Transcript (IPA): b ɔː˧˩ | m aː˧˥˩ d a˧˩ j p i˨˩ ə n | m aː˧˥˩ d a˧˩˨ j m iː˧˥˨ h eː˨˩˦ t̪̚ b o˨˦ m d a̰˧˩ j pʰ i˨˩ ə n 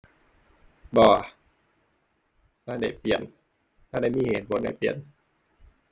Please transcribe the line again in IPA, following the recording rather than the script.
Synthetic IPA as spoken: b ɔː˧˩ | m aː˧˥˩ d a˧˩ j p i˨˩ ə n | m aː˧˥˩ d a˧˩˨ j m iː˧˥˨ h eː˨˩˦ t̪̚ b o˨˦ n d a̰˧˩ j p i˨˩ ə n